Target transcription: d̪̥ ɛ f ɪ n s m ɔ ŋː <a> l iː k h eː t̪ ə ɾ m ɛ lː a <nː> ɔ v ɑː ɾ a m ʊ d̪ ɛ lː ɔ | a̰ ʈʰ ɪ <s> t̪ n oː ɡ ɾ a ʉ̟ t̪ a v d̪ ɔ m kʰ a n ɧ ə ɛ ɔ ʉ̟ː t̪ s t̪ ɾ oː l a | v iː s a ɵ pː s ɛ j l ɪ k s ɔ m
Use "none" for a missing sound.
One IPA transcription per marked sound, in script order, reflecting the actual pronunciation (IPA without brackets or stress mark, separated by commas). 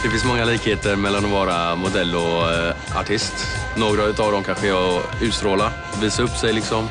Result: a, n, s